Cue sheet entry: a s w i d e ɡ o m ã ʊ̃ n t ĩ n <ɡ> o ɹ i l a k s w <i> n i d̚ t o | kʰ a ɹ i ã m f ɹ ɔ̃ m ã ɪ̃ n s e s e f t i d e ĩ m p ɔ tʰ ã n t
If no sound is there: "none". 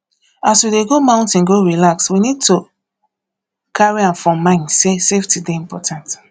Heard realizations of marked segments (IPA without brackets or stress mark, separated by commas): ɡ, i